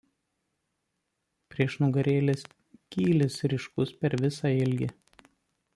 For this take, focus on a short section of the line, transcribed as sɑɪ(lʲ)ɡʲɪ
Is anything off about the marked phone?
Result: no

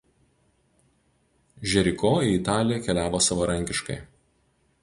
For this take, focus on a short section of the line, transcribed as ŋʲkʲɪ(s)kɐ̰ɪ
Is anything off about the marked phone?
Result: yes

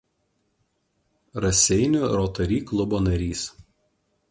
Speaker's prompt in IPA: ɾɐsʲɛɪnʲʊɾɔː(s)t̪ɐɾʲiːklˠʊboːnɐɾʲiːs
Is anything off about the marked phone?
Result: yes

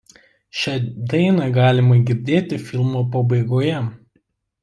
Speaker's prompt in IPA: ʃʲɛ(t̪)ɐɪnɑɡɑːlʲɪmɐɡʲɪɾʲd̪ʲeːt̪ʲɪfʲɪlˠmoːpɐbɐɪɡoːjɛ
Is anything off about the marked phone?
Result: yes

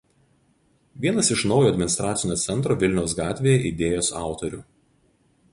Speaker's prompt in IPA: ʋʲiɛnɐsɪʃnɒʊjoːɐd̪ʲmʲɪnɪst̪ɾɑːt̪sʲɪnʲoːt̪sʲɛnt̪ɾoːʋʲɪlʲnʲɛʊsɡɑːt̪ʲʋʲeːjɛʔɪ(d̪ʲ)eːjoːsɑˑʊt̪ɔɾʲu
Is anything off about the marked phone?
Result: no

